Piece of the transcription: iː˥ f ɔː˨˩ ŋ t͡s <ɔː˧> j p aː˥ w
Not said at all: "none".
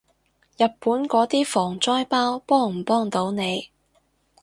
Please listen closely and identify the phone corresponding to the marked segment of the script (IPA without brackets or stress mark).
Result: ɔː˥